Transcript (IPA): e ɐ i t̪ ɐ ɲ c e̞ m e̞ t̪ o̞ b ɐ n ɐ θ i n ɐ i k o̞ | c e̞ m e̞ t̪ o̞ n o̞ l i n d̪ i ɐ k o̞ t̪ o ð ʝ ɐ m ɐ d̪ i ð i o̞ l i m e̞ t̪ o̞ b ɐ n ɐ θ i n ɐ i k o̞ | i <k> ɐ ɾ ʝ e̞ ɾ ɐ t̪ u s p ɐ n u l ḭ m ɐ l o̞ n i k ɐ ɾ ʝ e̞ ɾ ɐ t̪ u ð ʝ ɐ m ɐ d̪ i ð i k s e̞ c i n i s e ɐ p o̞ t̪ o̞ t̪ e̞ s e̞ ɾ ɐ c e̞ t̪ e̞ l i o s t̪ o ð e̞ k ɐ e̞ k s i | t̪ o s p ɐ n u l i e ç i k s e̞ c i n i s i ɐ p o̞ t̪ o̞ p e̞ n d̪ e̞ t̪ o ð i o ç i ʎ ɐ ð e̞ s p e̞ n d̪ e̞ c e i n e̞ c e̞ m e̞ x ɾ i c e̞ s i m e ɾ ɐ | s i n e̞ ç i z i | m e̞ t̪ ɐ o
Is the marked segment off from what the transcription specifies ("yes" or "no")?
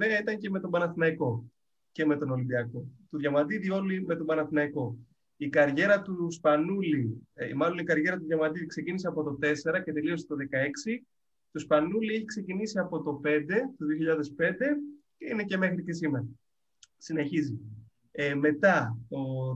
no